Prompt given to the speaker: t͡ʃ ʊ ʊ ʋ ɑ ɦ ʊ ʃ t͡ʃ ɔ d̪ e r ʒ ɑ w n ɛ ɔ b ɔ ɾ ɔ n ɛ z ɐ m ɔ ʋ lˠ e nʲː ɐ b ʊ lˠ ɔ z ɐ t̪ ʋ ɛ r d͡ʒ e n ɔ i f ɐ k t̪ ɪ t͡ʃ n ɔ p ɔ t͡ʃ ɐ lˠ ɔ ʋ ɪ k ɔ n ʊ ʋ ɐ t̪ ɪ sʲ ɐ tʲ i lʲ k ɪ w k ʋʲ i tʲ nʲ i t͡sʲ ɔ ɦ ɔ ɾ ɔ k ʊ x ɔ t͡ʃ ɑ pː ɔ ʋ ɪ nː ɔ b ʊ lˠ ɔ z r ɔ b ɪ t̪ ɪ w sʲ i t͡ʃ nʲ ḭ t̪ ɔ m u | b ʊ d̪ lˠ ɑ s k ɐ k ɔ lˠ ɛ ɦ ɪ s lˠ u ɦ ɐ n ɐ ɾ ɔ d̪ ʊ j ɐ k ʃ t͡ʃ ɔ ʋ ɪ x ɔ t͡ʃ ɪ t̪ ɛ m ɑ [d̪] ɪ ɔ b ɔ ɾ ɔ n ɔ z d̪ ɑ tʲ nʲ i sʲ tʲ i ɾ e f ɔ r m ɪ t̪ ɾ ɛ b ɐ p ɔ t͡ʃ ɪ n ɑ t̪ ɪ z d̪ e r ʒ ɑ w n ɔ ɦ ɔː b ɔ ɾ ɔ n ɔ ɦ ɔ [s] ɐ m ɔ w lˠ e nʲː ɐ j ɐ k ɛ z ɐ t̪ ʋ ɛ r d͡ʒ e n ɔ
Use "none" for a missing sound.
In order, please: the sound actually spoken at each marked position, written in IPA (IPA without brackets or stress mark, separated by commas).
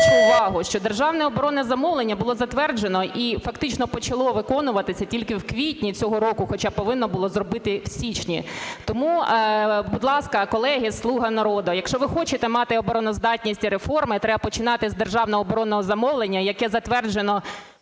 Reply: t̪, z